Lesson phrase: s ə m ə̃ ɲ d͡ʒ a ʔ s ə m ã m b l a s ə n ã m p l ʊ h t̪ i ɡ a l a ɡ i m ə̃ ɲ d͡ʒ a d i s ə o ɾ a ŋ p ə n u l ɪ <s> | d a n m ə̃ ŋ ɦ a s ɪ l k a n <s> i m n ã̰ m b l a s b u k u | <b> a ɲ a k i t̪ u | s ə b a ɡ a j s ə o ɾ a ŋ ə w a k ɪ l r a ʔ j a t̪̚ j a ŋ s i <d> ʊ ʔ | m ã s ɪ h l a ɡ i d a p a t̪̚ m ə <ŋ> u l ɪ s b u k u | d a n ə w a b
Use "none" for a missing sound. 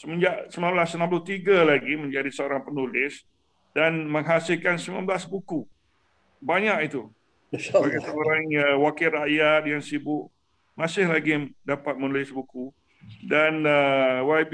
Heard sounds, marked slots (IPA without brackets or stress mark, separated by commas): s, s, b, b, n